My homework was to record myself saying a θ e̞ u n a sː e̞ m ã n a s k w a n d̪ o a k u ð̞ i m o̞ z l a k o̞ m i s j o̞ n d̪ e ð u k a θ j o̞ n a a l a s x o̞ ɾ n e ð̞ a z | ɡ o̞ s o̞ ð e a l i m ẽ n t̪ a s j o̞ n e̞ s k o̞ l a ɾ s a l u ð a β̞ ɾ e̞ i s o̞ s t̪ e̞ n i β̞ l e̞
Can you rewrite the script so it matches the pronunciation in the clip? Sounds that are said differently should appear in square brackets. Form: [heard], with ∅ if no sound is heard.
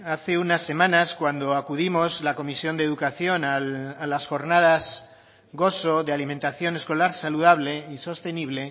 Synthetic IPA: a θ e̞ u n a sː e̞ m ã n a s k w a n d̪ o a k u ð̞ i m o̞ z l a k o̞ m i s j o̞ n d̪ e ð u k a θ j o̞ n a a l a s x o̞ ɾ n [a] ð̞ a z | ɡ o̞ s o̞ ð e a l i m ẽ n t̪ a [θ] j o̞ n e̞ s k o̞ l a ɾ s a l u ð a β̞ [l] e̞ i s o̞ s t̪ e̞ n i β̞ l e̞